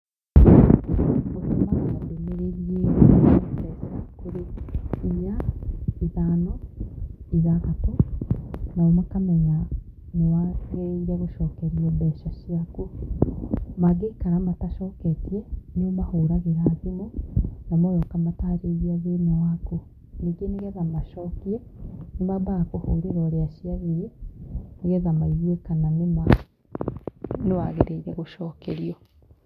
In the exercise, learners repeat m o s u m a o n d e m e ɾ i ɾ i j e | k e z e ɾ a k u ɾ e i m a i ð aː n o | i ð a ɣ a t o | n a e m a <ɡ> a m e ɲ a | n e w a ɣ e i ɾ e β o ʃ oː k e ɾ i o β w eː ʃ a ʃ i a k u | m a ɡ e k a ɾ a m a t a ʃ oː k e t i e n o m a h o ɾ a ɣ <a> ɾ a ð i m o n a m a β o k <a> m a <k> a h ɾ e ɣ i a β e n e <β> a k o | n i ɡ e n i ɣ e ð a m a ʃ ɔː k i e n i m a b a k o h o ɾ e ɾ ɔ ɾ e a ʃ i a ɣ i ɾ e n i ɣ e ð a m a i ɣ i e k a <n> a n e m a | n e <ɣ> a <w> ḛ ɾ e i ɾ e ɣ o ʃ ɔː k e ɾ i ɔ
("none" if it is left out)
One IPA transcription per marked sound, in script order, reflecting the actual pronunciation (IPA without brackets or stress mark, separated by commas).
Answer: k, e, a, t, w, n, w, ɣ